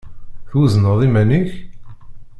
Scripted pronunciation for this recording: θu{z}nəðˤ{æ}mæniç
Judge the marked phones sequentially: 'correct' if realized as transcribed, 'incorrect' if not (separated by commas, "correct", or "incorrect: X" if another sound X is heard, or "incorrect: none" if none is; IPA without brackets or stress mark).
correct, incorrect: i